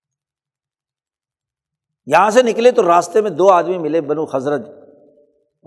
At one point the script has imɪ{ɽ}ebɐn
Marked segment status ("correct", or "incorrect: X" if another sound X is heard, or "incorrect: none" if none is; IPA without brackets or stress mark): incorrect: l